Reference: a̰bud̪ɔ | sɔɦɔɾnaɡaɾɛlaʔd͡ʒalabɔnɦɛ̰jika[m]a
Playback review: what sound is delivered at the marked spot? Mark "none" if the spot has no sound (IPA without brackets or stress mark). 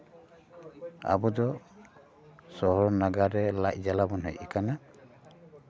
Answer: n